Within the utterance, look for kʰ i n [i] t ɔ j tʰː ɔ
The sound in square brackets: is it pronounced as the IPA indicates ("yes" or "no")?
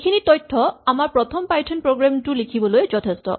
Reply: yes